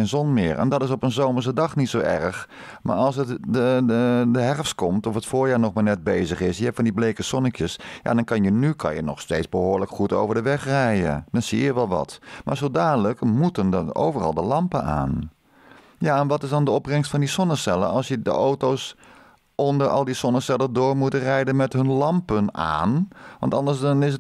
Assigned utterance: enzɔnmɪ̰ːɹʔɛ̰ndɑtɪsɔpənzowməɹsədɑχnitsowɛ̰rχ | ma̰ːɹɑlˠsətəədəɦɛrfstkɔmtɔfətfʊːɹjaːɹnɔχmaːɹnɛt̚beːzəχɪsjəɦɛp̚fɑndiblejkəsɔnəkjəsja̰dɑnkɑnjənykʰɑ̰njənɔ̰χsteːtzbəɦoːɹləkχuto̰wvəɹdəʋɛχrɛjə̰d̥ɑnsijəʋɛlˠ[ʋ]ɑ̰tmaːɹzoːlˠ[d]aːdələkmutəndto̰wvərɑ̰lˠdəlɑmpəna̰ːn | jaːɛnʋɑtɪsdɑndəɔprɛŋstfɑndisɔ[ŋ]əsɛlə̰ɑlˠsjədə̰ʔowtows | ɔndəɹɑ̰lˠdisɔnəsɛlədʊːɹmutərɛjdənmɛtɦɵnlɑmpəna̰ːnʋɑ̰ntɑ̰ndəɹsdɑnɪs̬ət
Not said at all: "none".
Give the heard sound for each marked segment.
ʋ, d, n

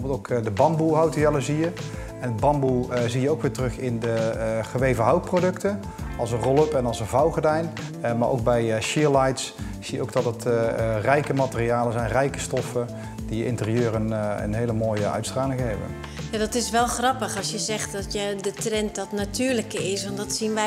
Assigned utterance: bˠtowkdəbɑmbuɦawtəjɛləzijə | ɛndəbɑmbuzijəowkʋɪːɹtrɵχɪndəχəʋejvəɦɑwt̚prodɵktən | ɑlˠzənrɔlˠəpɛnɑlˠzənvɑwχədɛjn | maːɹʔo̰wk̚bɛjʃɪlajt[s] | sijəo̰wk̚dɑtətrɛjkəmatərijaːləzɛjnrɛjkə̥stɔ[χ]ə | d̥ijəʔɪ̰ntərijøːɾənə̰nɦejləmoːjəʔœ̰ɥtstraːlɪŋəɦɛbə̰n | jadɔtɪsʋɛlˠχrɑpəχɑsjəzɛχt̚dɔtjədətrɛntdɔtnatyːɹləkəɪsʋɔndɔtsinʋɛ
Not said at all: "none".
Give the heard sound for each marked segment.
s, f

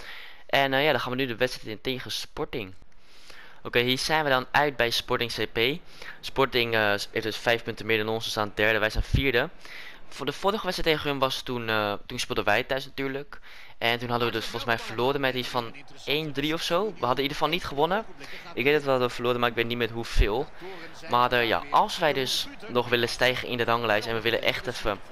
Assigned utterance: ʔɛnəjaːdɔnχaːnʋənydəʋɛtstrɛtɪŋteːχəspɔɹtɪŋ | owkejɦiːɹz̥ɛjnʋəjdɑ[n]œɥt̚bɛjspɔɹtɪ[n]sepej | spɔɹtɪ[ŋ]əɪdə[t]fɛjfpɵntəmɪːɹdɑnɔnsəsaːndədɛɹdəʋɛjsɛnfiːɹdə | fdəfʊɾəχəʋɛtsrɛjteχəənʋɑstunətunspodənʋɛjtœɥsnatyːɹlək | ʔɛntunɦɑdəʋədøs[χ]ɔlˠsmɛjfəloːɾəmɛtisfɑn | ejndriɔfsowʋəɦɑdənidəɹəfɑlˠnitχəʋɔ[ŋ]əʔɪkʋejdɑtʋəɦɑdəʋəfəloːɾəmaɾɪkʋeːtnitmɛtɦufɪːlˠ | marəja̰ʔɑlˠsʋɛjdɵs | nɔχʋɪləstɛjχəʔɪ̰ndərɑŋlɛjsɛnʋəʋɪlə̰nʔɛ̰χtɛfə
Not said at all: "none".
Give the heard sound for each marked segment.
n, ŋ, ŋ, s, f, n

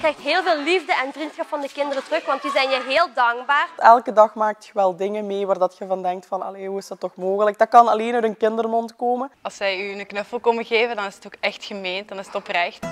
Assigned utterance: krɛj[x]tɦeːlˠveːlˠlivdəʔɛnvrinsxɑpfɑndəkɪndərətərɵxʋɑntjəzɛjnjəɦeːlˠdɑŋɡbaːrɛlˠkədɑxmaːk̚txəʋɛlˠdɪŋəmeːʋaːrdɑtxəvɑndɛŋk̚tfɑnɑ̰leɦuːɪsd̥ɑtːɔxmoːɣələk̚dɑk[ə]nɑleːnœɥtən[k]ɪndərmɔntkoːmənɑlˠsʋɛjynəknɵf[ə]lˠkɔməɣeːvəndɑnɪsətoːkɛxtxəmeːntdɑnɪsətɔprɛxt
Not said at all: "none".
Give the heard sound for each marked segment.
x, ɑ, k, ə

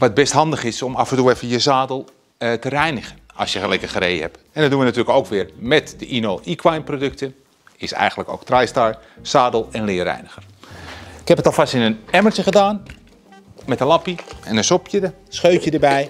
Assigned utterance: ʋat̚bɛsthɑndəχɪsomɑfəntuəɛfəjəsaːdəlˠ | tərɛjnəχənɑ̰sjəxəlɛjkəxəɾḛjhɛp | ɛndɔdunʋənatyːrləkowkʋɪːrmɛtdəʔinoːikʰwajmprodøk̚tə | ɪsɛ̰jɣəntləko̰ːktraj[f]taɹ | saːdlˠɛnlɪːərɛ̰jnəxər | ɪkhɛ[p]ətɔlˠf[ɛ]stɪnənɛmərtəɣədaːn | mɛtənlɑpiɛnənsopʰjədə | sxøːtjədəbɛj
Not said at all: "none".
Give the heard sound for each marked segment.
s, p, a

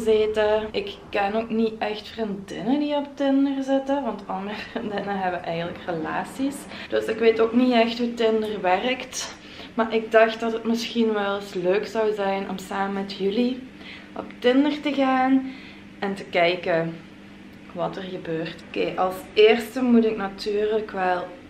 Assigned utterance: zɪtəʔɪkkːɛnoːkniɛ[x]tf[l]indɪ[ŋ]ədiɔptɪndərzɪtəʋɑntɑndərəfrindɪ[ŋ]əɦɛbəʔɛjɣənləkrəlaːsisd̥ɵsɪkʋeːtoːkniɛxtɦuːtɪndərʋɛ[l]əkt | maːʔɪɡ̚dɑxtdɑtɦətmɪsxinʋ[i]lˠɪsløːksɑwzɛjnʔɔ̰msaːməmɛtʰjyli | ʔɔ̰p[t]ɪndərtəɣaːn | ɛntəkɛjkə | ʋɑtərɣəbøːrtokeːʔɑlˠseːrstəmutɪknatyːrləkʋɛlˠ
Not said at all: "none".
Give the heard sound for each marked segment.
x, r, n, n, r, ɛ, t

